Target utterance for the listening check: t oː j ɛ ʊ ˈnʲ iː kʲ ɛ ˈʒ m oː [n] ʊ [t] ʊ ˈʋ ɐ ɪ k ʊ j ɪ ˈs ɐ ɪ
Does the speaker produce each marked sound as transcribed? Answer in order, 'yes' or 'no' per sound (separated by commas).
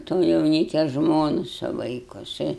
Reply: yes, no